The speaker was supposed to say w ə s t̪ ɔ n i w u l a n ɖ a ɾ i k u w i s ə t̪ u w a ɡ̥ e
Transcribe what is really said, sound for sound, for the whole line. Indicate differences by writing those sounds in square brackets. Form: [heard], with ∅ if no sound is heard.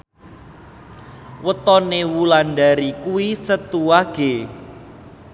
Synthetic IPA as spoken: w ə [∅] t̪ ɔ n [e] w u l a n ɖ a ɾ i k u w i s ə t̪ u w a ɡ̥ e